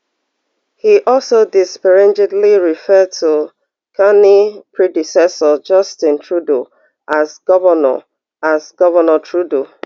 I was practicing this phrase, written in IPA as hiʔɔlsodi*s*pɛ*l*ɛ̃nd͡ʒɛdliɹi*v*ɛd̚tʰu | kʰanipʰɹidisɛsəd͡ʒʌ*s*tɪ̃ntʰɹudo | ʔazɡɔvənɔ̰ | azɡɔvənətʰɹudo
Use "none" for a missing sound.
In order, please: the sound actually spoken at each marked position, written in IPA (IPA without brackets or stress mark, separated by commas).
s, ɹ, f, s